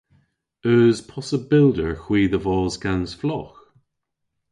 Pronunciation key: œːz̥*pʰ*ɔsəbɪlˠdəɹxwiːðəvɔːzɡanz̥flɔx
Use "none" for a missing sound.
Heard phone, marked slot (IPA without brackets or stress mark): pʰ